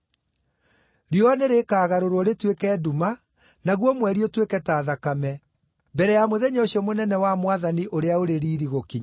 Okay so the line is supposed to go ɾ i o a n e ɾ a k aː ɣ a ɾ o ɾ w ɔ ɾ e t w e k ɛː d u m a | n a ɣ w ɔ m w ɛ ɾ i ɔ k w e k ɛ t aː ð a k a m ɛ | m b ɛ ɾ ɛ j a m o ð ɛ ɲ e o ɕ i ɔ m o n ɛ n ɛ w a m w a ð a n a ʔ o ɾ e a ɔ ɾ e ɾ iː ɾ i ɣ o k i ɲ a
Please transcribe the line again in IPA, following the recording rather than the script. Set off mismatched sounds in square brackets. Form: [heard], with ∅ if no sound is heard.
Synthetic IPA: ɾ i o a n e ɾ [e] k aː ɣ a ɾ o ɾ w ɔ ɾ e t w e k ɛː d u m a | n a ɣ w ɔ m w ɛ ɾ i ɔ [t] w e k ɛ t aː ð a k a m ɛ | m b ɛ ɾ ɛ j a m o ð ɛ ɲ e o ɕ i ɔ m o n ɛ n ɛ w a m w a ð a n [i] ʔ o ɾ e a [o] ɾ e ɾ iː ɾ i ɣ o k i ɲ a